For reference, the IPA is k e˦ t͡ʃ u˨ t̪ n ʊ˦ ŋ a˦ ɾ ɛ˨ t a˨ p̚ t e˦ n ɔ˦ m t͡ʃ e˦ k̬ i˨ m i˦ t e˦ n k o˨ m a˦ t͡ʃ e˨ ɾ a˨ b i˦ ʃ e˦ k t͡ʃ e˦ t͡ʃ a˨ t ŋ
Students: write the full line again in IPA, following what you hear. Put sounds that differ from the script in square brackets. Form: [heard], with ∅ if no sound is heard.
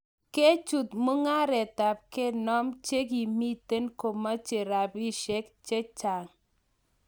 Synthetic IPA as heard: k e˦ t͡ʃ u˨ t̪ [m] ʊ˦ ŋ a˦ ɾ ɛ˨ t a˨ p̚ [k] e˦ n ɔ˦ m t͡ʃ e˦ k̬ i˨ m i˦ t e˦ n k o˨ m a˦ t͡ʃ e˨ ɾ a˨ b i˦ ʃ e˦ k t͡ʃ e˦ t͡ʃ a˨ [∅] ŋ